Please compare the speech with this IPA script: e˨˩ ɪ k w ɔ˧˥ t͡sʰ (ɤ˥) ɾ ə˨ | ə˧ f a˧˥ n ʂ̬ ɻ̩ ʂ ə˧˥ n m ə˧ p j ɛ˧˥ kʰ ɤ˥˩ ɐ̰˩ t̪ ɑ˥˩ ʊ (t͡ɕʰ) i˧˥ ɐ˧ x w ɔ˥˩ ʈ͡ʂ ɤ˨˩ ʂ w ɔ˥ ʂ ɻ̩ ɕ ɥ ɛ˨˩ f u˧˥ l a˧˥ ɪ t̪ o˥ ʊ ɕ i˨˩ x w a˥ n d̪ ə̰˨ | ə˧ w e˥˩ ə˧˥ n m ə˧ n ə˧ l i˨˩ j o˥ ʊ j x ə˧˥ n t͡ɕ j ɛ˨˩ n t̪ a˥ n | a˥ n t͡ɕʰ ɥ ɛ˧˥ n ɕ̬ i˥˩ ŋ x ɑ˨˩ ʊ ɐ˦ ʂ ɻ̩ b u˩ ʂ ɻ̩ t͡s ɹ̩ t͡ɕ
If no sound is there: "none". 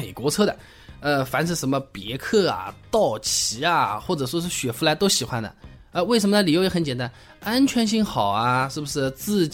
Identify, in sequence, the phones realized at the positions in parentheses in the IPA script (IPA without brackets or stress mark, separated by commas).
ɤ˥, t͡ɕʰ